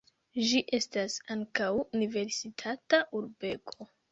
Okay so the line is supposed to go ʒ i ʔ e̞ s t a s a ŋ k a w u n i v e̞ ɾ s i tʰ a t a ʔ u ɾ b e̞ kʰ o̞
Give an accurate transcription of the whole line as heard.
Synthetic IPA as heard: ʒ i ʔ e̞ s t a s a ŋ k a w u n i v e̞ ɾ s i tʰ a t a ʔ u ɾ b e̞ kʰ o̞